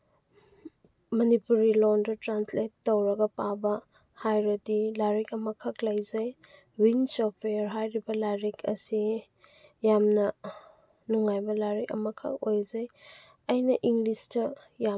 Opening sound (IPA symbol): m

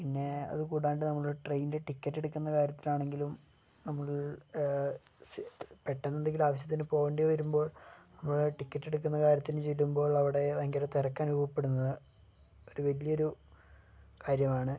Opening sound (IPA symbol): p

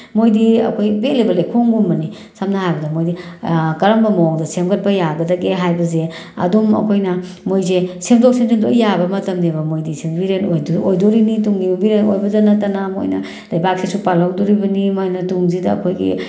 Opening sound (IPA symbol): m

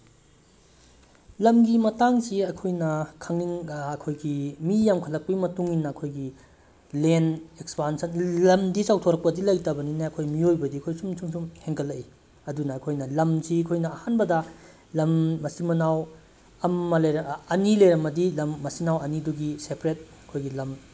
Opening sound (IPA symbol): l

